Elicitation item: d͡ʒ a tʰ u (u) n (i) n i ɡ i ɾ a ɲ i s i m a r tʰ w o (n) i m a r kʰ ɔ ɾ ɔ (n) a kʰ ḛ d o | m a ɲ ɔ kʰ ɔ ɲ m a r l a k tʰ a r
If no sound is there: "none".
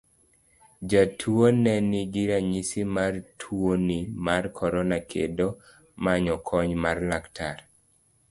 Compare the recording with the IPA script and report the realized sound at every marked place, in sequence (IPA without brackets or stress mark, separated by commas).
o, ɛ, n, n